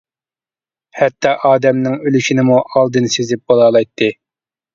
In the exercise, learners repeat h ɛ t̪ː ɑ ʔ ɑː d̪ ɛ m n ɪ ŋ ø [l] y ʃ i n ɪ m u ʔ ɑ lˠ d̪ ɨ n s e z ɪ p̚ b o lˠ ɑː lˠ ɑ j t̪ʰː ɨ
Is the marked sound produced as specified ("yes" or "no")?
yes